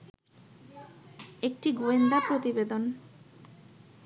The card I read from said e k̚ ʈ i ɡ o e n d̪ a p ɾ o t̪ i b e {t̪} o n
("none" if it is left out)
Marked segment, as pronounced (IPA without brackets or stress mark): d̪